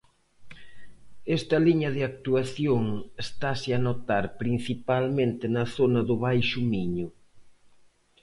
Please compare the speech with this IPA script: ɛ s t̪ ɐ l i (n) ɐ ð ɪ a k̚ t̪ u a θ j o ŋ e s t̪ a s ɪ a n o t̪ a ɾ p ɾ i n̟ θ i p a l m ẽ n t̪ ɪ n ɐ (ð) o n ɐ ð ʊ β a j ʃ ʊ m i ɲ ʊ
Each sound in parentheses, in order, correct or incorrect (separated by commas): incorrect, incorrect